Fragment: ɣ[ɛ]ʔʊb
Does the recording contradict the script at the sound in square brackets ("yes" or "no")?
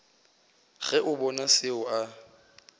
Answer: no